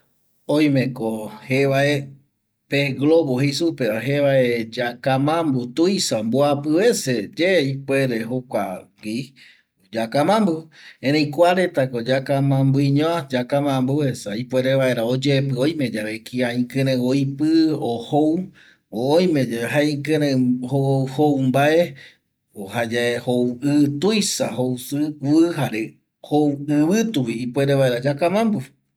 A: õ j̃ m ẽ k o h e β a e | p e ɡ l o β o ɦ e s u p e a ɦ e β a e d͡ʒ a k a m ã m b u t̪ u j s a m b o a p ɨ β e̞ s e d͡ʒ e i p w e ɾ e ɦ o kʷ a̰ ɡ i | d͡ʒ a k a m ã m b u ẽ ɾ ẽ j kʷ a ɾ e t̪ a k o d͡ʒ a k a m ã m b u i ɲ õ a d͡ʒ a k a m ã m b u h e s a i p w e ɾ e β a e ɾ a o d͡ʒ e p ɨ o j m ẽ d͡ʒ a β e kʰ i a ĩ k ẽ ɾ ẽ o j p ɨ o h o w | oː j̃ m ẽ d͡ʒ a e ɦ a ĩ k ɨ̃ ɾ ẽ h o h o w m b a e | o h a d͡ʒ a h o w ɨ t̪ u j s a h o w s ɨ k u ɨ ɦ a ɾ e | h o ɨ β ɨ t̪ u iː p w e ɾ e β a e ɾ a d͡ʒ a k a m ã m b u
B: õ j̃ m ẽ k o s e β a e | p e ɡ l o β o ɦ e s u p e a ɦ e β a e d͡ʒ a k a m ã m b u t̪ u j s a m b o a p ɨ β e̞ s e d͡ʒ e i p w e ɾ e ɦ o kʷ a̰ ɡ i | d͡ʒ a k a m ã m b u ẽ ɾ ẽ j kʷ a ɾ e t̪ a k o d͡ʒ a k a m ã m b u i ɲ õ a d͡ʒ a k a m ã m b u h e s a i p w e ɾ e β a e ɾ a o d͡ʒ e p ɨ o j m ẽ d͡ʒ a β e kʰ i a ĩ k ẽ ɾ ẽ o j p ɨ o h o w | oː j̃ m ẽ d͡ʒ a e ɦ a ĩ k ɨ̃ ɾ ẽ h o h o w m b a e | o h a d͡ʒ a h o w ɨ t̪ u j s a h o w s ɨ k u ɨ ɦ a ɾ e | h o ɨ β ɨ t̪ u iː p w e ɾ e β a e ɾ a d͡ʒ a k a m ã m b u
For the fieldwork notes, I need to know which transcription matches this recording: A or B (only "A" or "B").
A